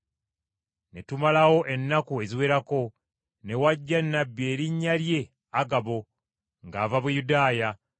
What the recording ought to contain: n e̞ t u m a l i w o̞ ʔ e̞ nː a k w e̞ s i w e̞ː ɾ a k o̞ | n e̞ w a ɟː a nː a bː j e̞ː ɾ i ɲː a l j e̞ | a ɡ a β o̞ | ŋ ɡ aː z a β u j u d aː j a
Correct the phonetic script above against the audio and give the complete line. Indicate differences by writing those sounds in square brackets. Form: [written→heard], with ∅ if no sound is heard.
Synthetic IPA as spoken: n e̞ t u m a l [i→a] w o̞ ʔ e̞ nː a k [w→u] e̞ [s→z] i w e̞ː ɾ a k o̞ | n e̞ w a ɟː a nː a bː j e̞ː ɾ i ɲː a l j e̞ | a ɡ a β o̞ | ŋ ɡ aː [z→v] a β u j u d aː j a

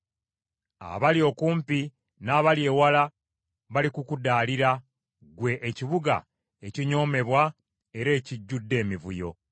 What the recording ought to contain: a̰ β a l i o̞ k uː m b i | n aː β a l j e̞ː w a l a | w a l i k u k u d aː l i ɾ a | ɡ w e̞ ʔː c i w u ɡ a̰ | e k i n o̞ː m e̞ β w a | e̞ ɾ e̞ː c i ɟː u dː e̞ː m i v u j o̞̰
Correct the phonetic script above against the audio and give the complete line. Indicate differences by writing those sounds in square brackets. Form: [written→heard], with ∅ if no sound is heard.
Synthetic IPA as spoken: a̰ β a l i o̞ k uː m [b→p] i | n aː β a l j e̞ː w a l a | [w→β] a l i k u k u d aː l i ɾ a | ɡ w e̞ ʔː c i [w→β] u ɡ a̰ | e [k→c] i [n→ɲ] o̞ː m e̞ β w a | e̞ ɾ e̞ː c i ɟː u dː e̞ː m i v u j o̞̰

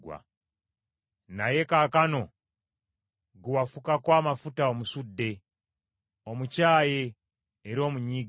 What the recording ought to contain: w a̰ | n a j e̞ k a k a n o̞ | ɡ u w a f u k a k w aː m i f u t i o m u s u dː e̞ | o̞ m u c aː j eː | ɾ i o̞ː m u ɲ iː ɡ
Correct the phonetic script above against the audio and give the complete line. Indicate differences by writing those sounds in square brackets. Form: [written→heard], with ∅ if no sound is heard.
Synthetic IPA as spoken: w a̰ | n a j e̞ k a k a n o̞ | ɡ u w a f u k a k w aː m [i→a] f u t [i→a] o m u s u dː e̞ | o̞ m u c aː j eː | ɾ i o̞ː m u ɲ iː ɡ

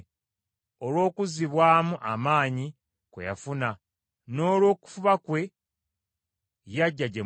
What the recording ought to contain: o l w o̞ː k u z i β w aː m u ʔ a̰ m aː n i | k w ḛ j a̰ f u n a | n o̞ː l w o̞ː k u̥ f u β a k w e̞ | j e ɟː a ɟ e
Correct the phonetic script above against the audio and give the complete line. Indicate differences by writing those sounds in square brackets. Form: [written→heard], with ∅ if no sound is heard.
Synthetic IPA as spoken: o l w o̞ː k u z i β w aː m u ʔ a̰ m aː [n→ɲ] i | k w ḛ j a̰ f u n a | n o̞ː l w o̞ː k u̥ f u β a k w e̞ | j [e→a] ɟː a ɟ e

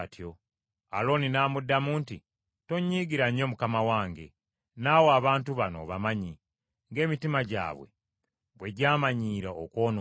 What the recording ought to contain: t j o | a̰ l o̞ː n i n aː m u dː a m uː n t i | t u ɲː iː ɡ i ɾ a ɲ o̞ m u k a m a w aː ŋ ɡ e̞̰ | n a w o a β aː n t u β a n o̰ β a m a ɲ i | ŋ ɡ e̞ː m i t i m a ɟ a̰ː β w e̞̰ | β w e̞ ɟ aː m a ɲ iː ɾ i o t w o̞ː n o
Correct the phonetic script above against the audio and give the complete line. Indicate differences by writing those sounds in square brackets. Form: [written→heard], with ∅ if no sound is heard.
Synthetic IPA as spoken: t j o | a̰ l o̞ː n i n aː m u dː a m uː n t i | t [u→o] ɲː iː ɡ i ɾ a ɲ o̞ m u k a m a w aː ŋ ɡ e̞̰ | n a w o a β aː n t u β a n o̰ β a m a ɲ i | ŋ ɡ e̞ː m i t i m a ɟ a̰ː β w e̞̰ | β w e̞ ɟ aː m a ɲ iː ɾ [i→a] o [t→k] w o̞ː n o

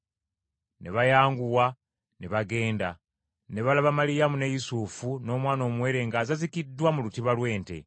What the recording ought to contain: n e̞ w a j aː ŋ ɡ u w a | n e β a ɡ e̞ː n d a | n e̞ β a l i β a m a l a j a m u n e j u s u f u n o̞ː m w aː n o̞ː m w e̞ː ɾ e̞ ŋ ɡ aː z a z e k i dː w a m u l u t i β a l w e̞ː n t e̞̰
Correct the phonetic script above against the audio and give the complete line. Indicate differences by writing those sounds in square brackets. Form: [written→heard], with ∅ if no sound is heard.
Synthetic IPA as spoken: n e̞ [w→β] a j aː ŋ ɡ u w a | n e β a ɡ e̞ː n d a | n e̞ β a l [i→a] β a m a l [a→i] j a m u n e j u s u f u n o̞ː m w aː n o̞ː m w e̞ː ɾ e̞ ŋ ɡ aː z a z [e→i] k i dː w a m u l u t i β a l w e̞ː n t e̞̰

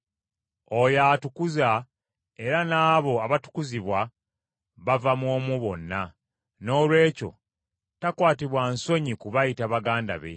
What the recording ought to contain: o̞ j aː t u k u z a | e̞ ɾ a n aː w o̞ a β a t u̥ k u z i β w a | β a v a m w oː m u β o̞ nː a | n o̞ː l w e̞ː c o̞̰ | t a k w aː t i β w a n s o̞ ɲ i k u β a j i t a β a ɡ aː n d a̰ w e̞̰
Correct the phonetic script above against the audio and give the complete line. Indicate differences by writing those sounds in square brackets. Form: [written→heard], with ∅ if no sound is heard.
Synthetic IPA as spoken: o̞ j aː t u k u z a | e̞ ɾ a n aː [w→β] o̞ a β a t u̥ k u z i β w a | β a v a m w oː m u β o̞ nː a | n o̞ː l w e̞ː c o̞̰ | t a k w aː t i β w a n s o̞ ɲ i k u β a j i t a β a ɡ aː n d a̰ [w→β] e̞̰

